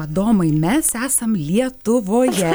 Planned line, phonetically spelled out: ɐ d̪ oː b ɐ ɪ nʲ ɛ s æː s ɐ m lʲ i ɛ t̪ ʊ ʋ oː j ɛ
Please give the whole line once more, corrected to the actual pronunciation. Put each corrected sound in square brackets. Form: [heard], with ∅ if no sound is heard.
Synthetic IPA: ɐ d̪ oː [m] ɐ ɪ [mʲ] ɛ s æː s ɐ m lʲ i ɛ t̪ ʊ ʋ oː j ɛ